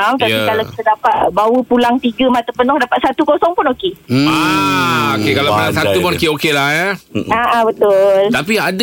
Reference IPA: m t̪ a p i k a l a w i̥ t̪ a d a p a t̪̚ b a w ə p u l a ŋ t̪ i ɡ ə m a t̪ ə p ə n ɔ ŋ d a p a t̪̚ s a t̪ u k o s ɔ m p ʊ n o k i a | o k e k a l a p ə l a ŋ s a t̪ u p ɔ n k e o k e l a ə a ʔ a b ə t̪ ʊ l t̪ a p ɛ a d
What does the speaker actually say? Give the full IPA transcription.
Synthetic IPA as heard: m t̪ a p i k a l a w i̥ t̪ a d a p a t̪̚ b a w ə p u l a ŋ t̪ i ɡ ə m a t̪ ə p ə n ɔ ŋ d a p a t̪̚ s a t̪ u k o s ɔ ŋ p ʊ n o k e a | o k e k a l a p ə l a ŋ s a t̪ u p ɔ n k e o k e l a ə a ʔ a b ə t̪ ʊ l t̪ a p i a d